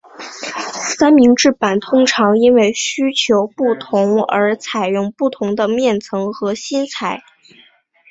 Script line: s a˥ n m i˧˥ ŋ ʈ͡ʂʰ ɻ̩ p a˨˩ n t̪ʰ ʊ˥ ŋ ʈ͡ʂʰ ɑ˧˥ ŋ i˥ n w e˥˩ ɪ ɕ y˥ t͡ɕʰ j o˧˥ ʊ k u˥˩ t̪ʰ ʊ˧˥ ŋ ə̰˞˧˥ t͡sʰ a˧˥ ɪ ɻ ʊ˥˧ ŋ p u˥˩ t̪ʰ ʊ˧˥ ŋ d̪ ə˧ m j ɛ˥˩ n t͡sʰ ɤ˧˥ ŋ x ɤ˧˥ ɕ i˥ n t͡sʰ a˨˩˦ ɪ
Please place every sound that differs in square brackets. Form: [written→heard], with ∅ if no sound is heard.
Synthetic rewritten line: s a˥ n m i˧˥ ŋ [ʈ͡ʂʰ→ʈ͡ʂ] ɻ̩ p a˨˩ n t̪ʰ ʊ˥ ŋ ʈ͡ʂʰ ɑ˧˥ ŋ i˥ n w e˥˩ ɪ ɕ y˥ t͡ɕʰ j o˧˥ ʊ [k→p] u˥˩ t̪ʰ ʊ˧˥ ŋ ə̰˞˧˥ t͡sʰ [a˧˥→a˨˩] ɪ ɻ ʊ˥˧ ŋ p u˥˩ t̪ʰ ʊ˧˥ ŋ d̪ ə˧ m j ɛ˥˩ n t͡sʰ ɤ˧˥ ŋ x ɤ˧˥ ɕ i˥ n t͡sʰ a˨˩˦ ɪ